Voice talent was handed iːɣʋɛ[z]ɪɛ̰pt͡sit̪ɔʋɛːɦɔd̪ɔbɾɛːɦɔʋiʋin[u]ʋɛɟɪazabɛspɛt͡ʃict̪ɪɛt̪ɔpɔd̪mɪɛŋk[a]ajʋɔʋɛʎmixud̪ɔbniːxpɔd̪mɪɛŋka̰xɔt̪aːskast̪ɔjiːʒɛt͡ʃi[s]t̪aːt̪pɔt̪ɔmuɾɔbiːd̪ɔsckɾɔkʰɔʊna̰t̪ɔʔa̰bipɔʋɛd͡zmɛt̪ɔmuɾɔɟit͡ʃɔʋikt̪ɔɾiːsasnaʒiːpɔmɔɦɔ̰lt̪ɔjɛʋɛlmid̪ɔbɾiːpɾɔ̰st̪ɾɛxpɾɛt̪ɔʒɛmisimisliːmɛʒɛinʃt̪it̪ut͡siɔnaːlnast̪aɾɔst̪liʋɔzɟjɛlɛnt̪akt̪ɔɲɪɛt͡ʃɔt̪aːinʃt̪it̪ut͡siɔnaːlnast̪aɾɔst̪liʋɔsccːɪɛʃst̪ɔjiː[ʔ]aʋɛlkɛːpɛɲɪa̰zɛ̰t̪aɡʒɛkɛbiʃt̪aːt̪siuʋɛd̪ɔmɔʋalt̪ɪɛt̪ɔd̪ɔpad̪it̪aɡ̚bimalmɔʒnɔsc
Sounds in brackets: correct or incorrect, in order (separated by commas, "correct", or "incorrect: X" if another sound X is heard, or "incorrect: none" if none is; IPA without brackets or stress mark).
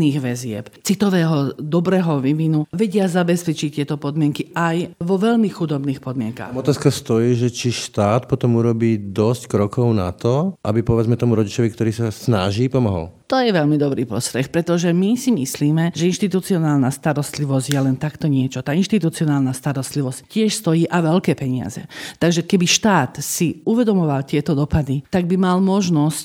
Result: correct, correct, incorrect: i, incorrect: ʃ, correct